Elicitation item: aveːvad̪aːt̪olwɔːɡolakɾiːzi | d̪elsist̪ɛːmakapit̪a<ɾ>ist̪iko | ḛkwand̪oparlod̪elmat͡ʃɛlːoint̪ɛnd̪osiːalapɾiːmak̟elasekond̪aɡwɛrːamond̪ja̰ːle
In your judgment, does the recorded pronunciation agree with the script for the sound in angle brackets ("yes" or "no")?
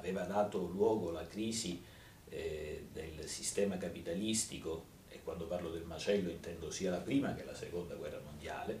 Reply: no